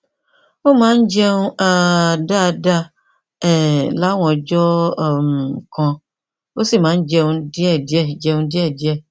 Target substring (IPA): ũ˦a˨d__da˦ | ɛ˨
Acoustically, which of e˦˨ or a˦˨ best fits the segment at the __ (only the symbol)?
a˦˨